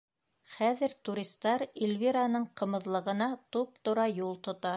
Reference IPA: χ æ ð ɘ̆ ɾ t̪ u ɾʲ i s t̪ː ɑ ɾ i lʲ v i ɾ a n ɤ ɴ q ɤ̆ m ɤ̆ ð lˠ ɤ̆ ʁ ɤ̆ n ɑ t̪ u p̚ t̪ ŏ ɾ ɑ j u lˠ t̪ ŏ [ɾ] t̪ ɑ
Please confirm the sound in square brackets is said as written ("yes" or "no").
no